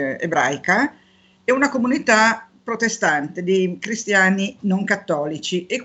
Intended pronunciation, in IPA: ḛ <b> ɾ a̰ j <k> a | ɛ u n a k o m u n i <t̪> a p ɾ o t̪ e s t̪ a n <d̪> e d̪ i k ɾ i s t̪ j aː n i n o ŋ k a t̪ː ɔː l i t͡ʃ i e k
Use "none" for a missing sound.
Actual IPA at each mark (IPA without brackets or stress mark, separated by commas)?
b, k, t̪, t̪